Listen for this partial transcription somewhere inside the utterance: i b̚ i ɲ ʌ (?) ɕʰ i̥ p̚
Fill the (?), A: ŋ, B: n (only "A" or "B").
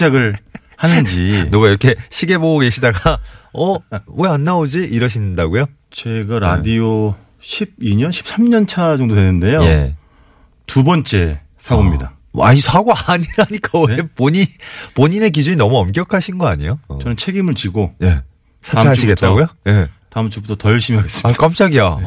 B